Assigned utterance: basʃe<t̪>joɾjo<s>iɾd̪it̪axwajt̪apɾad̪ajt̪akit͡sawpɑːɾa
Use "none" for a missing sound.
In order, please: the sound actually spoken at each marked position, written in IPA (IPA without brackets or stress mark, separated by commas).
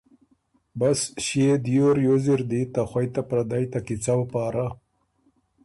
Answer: d̪, z